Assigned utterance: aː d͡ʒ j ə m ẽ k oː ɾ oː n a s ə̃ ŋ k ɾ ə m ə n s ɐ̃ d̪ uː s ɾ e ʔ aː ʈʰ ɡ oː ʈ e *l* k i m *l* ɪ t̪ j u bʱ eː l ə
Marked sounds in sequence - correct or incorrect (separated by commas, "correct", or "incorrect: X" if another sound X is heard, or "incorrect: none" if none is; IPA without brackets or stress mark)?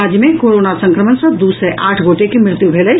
incorrect: none, incorrect: ɾ